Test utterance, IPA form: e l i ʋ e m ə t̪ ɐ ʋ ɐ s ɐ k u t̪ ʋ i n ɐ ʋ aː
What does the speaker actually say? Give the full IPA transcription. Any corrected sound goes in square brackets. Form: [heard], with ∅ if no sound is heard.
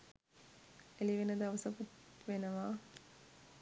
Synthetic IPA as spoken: e l i ʋ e [n] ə [d̪] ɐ ʋ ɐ s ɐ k u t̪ ʋ [e] n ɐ ʋ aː